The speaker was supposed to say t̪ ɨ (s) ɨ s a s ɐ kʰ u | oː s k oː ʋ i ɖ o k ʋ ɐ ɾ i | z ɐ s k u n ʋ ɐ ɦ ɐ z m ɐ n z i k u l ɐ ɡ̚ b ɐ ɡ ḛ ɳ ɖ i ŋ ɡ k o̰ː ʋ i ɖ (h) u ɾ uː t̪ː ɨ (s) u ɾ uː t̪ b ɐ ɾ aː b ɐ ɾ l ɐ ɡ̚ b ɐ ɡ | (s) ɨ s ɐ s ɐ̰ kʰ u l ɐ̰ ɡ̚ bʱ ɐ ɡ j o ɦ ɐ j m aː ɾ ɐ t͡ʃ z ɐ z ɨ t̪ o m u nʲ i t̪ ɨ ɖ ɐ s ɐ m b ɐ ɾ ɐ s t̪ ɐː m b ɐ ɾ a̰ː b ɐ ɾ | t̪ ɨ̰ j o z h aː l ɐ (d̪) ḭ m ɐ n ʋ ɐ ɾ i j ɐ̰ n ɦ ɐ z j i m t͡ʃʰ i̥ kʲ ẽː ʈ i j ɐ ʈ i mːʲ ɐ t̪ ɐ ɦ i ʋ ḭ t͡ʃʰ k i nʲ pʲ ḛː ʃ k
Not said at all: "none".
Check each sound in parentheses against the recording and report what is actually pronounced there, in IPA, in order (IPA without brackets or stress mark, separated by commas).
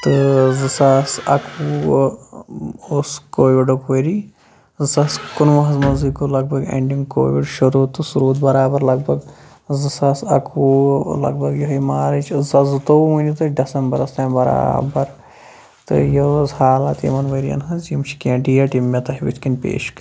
z, ʃ, s, z, t̪